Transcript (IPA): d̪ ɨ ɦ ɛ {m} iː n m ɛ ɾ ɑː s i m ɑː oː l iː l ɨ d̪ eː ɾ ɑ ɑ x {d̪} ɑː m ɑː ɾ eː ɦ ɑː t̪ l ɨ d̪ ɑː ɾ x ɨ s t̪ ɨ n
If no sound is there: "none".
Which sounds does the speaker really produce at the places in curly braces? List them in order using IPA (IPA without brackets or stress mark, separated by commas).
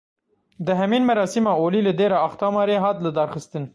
m, t̪